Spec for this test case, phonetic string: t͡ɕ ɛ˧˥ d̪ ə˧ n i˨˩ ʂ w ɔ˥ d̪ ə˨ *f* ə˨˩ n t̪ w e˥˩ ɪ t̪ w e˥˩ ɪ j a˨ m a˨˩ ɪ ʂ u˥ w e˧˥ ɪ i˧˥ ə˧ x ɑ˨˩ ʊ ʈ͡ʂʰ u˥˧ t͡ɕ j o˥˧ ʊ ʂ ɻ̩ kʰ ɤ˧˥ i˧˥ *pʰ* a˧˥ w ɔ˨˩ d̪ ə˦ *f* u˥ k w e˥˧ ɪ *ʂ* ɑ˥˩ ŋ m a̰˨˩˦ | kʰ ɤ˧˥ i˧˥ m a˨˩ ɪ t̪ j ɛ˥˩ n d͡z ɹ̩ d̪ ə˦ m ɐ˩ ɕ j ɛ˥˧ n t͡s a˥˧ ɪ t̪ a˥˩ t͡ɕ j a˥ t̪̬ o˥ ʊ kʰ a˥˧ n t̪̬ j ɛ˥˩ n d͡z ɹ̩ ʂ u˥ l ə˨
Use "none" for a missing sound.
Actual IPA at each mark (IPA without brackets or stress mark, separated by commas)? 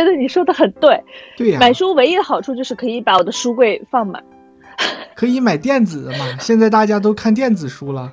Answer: x, p, ʂ, f